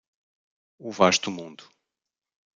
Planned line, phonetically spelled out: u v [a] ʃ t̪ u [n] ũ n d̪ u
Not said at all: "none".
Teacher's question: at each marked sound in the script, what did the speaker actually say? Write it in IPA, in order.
a, m

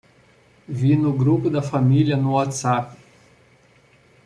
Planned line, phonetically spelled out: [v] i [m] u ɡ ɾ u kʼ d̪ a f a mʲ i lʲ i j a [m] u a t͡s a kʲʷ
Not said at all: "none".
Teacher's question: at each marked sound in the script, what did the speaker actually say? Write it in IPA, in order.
v, n, n

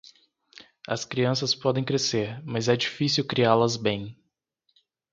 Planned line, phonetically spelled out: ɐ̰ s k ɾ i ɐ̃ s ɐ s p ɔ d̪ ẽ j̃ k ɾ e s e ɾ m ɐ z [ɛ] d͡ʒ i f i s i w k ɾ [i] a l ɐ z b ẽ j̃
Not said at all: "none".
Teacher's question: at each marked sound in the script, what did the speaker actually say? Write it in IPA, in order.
ɛ, i

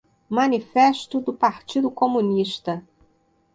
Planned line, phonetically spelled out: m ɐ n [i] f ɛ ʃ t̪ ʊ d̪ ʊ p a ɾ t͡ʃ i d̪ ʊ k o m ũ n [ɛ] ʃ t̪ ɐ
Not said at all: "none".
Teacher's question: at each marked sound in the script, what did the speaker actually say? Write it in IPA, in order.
i, i

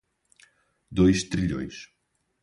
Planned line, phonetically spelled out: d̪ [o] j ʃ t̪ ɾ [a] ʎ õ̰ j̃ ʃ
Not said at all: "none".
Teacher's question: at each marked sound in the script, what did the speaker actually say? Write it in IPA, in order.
o, i

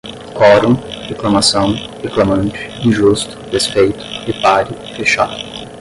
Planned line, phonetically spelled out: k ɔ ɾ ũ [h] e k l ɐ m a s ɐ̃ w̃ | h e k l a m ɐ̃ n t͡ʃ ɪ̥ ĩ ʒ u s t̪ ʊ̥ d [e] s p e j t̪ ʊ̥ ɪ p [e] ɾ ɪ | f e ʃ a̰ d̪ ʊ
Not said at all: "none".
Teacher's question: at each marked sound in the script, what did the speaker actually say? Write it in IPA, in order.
h, e, a

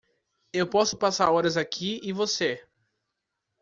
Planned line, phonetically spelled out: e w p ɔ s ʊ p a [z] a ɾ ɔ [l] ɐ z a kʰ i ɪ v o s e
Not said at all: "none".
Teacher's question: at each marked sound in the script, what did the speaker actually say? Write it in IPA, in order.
s, ɾ

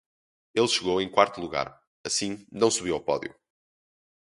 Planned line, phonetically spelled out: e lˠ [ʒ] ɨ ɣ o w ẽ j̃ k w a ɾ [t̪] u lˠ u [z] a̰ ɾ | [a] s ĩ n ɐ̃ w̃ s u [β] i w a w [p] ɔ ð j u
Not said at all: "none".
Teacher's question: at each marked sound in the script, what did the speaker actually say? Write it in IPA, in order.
ʃ, t̪, ɣ, ɐ, β, p

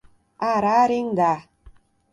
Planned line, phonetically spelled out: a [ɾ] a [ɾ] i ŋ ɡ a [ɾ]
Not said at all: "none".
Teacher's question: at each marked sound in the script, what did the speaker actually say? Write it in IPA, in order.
ɾ, ɾ, none

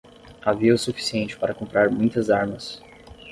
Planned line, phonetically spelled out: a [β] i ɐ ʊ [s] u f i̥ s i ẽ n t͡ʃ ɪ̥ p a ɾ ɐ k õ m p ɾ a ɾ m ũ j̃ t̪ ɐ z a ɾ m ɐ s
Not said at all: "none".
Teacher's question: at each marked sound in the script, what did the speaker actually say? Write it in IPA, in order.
v, s

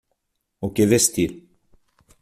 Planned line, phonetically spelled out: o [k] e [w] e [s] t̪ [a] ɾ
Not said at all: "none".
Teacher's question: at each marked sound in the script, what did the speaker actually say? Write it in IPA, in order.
k, v, s, i

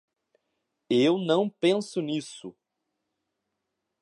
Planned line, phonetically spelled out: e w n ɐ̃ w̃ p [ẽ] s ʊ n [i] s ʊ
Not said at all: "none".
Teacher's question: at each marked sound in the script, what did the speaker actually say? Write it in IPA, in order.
ẽ, i

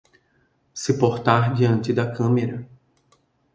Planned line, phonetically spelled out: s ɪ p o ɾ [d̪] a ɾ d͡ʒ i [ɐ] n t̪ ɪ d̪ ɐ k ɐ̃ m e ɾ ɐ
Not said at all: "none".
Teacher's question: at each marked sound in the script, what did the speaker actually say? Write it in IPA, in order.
t̪, ɐ̃

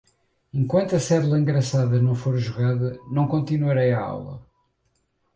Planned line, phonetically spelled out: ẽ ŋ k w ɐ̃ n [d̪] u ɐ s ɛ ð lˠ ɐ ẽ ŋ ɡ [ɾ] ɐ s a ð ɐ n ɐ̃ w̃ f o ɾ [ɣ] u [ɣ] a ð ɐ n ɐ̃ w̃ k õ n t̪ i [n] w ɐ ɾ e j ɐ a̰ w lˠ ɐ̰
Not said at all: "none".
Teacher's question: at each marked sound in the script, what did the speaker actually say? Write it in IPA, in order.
t̪, ɾ, ʒ, ɣ, n

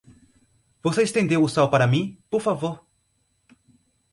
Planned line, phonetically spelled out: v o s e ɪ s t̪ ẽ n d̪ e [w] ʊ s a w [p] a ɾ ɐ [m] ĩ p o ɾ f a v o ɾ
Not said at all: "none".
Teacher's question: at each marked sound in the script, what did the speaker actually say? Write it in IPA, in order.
w, p, m

